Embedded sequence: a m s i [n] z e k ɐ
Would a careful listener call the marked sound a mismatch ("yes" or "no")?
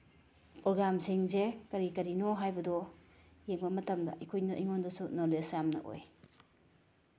yes